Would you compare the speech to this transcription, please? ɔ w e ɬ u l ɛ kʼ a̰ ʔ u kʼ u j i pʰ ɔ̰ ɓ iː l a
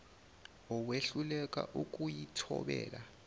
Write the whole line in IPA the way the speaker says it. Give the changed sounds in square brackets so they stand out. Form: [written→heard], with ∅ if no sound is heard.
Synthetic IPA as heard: ɔ w e ɬ u l ɛ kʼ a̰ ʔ u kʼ u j i [pʰ→tʰ] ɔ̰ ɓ [iː→ɛː] l a